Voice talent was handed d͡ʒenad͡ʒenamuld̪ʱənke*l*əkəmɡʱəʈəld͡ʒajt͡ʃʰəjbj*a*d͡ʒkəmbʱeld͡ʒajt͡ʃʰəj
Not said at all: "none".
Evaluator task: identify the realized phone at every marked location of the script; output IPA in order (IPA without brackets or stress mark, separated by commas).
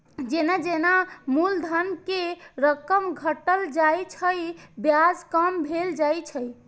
ɾ, a